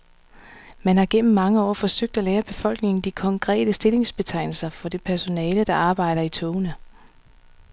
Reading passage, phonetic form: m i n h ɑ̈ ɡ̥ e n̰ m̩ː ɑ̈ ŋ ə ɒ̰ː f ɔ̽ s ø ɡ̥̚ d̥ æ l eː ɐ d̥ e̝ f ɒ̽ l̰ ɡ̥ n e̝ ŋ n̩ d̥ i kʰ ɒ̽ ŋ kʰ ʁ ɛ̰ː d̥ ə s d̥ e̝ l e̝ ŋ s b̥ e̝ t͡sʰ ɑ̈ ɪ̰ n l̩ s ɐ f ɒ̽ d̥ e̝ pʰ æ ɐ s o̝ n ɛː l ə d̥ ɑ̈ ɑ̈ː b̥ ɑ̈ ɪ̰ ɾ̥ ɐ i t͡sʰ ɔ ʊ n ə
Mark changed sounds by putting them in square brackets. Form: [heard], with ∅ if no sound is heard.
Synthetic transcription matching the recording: m [æ] n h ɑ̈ ɡ̥ e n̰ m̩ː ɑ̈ ŋ ə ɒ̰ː f [ɒ̽] s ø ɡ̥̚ d̥ æ l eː ɐ [b̥] e̝ f ɒ̽ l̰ ɡ̥ n e̝ ŋ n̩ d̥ i kʰ ɒ̽ ŋ kʰ ʁ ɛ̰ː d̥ ə s d̥ e̝ l e̝ ŋ s b̥ e̝ t͡sʰ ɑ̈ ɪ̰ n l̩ s ɐ f ɒ̽ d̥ e̝ pʰ æ ɐ s o̝ n ɛː l ə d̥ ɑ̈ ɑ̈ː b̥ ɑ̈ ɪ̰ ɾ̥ ɐ i t͡sʰ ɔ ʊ n ə